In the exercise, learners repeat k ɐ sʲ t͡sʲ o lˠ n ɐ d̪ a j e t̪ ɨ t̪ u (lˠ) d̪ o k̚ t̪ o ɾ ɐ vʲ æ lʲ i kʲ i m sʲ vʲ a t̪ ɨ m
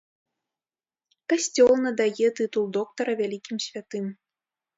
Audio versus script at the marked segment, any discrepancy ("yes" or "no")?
no